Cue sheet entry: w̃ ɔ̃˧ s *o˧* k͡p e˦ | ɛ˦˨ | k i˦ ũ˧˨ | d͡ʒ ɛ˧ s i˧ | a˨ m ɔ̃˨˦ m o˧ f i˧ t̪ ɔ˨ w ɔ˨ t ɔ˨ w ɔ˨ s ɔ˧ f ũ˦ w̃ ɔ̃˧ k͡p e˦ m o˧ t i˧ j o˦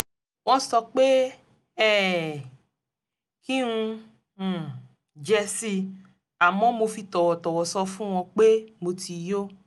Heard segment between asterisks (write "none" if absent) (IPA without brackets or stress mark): ɔ˧